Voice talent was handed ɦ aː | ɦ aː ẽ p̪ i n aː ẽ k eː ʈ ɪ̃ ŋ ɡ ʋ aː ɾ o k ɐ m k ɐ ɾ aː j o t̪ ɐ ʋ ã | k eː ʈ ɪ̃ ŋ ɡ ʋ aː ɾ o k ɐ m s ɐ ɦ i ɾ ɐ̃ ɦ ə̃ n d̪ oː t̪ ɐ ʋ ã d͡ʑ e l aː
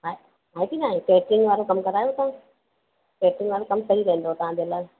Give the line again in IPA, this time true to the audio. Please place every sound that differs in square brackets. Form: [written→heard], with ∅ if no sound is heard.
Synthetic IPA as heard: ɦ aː | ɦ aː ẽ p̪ i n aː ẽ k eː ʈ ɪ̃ ŋ ɡ ʋ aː ɾ o k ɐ m k ɐ ɾ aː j o t̪ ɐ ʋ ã | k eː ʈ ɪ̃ ŋ ɡ ʋ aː ɾ o k ɐ m s ɐ ɦ i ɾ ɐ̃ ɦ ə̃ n d̪ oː t̪ ɐ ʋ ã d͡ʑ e l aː